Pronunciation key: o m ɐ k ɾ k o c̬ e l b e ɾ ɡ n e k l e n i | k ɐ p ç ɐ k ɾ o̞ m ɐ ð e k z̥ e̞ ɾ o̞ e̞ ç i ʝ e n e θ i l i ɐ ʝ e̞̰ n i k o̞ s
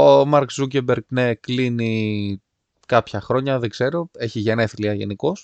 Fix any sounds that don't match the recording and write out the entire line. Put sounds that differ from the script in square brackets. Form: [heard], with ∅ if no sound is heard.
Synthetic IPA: o m ɐ [∅] ɾ k [u] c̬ e [∅] b e ɾ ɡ n e k l [i] n i | k ɐ p ç ɐ [x] ɾ o̞ [ɲ] ɐ ð e [ɡ] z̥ e̞ ɾ o̞ e̞ ç i ʝ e n e θ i l i ɐ ʝ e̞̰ n i k o̞ s